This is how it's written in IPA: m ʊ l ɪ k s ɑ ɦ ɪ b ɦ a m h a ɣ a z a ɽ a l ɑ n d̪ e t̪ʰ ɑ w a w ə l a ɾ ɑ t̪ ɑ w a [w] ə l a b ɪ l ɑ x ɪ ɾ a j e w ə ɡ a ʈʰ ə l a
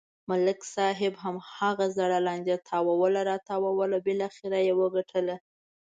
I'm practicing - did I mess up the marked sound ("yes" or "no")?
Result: no